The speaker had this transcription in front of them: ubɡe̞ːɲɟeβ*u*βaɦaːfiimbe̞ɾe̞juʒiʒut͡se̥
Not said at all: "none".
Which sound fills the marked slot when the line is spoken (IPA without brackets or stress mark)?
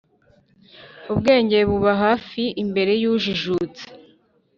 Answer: u